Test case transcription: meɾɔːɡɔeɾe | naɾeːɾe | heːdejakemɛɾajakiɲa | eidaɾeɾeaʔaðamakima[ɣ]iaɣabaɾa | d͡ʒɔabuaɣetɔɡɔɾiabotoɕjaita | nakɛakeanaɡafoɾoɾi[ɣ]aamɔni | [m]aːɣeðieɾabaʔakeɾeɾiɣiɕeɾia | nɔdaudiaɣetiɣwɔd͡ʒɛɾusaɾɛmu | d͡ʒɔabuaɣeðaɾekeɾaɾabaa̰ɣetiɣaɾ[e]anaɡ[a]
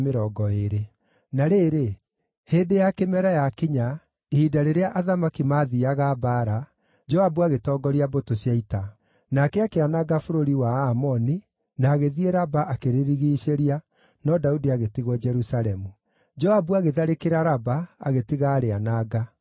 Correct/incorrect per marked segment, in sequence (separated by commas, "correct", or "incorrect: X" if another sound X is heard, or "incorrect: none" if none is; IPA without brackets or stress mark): incorrect: ð, incorrect: w, incorrect: n, correct, correct